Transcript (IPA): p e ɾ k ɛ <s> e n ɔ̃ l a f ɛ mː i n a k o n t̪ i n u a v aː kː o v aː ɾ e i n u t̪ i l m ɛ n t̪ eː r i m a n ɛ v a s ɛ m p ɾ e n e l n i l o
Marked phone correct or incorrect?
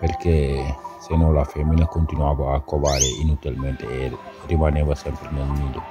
correct